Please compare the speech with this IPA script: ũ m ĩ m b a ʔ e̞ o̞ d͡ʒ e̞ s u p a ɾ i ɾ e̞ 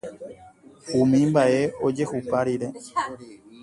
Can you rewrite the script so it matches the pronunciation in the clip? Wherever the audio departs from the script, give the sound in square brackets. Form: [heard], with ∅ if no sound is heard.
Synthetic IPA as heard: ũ m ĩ m b a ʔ e̞ o̞ d͡ʒ e̞ [h] u p a ɾ i ɾ e̞